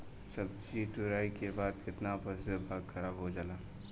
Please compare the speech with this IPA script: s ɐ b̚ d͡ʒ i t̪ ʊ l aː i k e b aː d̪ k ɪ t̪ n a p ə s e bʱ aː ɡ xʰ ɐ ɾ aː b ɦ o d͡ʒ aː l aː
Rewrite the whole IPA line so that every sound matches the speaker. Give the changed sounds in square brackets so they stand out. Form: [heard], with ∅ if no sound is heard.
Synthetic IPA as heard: s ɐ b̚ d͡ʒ i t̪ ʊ [ɾ] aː i k e b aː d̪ k ɪ t̪ n a p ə s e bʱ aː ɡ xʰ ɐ ɾ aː b ɦ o d͡ʒ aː l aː